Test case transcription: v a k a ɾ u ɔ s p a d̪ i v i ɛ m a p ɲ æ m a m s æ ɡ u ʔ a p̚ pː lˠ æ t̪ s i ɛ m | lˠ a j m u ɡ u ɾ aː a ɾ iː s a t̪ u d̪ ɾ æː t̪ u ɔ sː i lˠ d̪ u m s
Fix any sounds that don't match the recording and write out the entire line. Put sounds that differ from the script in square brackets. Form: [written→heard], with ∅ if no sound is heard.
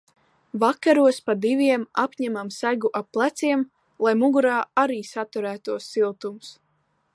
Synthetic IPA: v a k a ɾ u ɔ s p a d̪ i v i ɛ m a p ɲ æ m a m s æ ɡ u ʔ a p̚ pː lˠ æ t̪ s i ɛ m | lˠ a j m u ɡ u ɾ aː a ɾ iː s a t̪ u [d̪→∅] ɾ æː t̪ u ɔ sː i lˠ [d̪→t̪] u m s

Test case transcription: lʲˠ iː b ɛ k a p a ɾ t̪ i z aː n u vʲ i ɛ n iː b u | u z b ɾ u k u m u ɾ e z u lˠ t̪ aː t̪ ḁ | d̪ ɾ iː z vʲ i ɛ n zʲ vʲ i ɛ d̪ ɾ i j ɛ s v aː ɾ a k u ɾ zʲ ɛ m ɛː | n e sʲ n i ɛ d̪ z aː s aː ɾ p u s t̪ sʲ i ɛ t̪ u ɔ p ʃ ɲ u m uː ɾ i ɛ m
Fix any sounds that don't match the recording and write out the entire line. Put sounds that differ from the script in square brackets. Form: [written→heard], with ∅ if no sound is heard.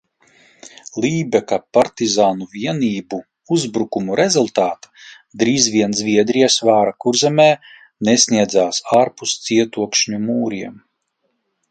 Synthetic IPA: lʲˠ iː b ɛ k a p a ɾ t̪ i z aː n u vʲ i ɛ n iː b u | u z b ɾ u k u m u ɾ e z u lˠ t̪ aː t̪ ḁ | d̪ ɾ iː z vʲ i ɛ n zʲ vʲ i ɛ d̪ ɾ i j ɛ s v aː ɾ a k u ɾ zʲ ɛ m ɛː | n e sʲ n i ɛ d̪ z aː s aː ɾ p u s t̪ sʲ i ɛ t̪ u ɔ [p→k] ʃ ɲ u m uː ɾ i ɛ m

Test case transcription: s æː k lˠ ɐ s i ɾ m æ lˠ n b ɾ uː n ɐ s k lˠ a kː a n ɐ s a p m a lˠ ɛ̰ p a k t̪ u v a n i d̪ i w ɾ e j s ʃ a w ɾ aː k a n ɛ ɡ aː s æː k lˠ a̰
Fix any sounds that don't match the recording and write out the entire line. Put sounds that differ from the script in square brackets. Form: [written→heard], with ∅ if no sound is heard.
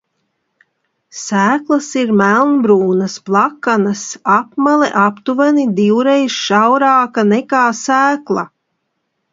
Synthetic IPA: s æː k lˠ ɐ s i ɾ m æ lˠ n b ɾ uː n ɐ s [k→p] lˠ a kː a n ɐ s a p m a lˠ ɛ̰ [p→ʔ] a [k→p] t̪ u v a n i d̪ i w ɾ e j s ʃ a w ɾ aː k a n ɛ [ɡ→k] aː s æː k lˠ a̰

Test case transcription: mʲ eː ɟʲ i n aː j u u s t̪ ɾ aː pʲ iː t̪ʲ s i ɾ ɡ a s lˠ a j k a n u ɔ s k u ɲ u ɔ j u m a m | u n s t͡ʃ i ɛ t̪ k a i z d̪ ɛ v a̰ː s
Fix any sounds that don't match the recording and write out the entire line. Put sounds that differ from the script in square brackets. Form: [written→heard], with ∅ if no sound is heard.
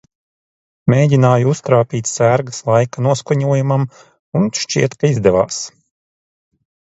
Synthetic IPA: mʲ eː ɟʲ i n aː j u u s t̪ ɾ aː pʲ iː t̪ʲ s [i→æ] ɾ ɡ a s lˠ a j k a n u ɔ s k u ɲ u ɔ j u m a m | u n [s→ʃ] t͡ʃ i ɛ t̪ k a i z d̪ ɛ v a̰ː s

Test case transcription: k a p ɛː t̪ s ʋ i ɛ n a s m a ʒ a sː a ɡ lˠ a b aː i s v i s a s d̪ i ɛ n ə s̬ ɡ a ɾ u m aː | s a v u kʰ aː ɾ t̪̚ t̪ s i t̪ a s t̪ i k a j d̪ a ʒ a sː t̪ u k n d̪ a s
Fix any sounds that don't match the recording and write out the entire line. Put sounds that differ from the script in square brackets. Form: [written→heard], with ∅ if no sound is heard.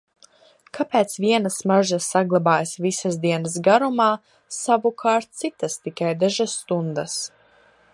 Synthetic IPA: k a p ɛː t̪ s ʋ i ɛ n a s m a ʒ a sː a ɡ lˠ a b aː [i→j] s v i s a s d̪ i ɛ n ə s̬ ɡ a ɾ u m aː | s a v u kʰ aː ɾ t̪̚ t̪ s i t̪ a s t̪ i k a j d̪ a ʒ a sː t̪ u [k→∅] n d̪ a s

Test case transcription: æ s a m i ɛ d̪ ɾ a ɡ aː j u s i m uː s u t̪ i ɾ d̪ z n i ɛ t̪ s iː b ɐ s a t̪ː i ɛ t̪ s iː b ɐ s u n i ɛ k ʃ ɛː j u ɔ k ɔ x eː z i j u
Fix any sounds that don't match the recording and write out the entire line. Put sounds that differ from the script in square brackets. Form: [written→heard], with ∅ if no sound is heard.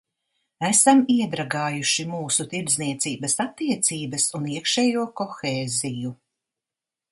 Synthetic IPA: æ s a m i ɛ d̪ ɾ a ɡ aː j u [s→ʃ] i m uː s u t̪ i ɾ d̪ z n i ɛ t̪ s iː b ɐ s a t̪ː i ɛ t̪ s iː b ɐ s u n i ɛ k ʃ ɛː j u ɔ k ɔ x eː z i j u

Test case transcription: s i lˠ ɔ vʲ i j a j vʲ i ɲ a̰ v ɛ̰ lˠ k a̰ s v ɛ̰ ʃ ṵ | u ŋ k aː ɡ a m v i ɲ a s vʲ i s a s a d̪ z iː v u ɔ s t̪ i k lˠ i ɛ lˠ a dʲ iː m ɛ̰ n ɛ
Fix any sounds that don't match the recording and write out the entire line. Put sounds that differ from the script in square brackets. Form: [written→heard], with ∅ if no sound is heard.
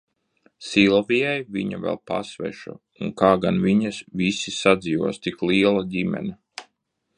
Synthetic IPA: s i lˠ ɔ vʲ i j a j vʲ i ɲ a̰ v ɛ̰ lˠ [k→p] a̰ s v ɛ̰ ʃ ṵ | u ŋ k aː ɡ a [m→n] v i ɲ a s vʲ i s [a→i] s a d̪ z iː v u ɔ s t̪ i k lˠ i ɛ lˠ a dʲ [iː→i] m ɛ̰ n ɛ

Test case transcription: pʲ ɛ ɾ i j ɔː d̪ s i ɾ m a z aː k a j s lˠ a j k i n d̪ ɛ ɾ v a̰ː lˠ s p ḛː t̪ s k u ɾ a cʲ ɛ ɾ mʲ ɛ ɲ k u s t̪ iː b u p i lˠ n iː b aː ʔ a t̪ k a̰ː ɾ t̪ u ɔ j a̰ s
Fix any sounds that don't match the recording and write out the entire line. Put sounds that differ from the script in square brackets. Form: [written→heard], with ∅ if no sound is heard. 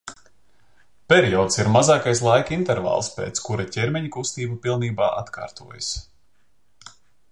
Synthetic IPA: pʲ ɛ ɾ i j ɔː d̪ s i ɾ m a z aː k a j s lˠ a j k i n [d̪→t̪] ɛ ɾ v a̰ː lˠ s p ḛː t̪ s k u ɾ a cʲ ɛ ɾ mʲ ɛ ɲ k u s t̪ iː b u p i lˠ n iː b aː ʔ a t̪ k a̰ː ɾ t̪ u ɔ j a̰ s

